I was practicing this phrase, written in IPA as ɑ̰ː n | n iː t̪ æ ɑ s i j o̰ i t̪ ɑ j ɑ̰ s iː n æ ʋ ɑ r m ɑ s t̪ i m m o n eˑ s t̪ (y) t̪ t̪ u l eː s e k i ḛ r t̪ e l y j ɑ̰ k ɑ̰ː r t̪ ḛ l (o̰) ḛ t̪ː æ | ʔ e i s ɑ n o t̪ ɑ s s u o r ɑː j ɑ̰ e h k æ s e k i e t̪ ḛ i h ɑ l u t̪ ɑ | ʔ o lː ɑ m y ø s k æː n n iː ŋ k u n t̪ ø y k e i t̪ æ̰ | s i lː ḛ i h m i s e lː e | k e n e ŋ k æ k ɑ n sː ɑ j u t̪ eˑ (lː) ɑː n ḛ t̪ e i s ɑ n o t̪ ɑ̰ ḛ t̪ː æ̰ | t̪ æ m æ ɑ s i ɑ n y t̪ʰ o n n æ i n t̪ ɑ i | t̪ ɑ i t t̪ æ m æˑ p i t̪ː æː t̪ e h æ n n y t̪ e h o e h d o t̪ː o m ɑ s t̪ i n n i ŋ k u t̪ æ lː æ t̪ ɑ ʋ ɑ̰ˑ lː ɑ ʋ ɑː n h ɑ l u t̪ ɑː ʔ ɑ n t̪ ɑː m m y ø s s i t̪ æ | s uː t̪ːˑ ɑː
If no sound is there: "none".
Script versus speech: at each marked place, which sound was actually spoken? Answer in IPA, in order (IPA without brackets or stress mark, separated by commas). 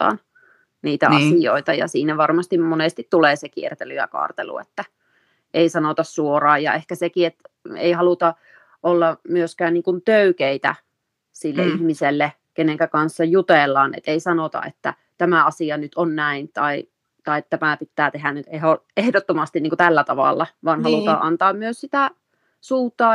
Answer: i, ṵ, lː